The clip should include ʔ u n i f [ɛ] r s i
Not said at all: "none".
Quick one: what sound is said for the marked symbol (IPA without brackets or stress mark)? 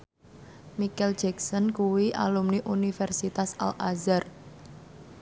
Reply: ɛ